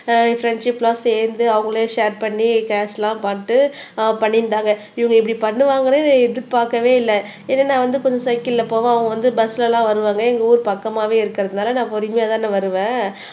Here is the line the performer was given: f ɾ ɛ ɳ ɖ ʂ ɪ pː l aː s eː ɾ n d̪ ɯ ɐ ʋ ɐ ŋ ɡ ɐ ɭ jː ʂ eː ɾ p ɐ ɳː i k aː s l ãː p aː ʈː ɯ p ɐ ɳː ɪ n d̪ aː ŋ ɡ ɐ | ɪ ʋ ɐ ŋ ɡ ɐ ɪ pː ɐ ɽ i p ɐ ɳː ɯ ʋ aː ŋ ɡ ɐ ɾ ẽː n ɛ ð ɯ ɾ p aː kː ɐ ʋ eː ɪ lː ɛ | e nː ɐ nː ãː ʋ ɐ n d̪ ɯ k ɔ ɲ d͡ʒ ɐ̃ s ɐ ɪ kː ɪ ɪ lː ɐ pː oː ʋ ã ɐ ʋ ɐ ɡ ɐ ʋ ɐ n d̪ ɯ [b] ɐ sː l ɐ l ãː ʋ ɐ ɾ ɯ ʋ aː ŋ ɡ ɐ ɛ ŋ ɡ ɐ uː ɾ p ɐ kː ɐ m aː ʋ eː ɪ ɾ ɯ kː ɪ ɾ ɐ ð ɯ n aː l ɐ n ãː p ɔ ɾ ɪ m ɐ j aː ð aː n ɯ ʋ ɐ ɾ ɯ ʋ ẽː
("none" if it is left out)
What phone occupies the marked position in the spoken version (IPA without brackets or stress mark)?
b